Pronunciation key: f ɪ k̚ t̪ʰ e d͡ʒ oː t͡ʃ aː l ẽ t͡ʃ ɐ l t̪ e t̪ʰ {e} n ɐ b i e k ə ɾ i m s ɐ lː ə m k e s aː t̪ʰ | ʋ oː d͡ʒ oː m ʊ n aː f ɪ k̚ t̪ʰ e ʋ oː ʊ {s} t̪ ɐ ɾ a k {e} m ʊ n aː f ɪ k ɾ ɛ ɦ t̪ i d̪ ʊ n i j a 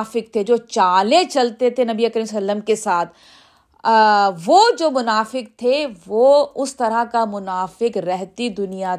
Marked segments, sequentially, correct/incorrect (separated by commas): correct, correct, incorrect